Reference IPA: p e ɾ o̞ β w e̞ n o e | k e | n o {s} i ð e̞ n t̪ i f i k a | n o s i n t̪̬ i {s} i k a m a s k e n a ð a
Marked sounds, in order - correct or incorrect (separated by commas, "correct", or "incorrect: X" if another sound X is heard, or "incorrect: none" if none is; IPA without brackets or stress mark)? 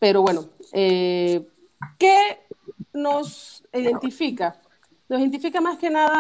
correct, incorrect: f